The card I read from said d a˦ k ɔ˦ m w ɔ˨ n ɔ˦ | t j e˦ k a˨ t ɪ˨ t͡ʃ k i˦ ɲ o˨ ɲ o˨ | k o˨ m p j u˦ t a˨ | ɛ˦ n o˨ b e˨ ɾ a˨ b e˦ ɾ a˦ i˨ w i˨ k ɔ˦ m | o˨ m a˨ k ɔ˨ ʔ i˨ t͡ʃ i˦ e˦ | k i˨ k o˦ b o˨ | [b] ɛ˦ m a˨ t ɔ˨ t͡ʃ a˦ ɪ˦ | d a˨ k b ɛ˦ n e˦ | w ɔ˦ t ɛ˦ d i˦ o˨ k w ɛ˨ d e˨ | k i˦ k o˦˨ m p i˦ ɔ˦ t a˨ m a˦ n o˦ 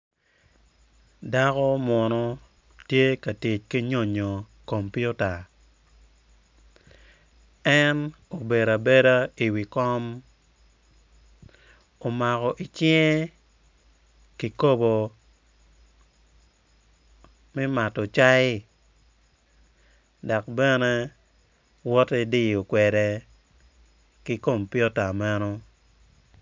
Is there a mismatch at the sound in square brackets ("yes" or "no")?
yes